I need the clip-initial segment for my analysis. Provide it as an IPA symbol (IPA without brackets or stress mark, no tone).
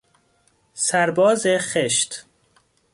s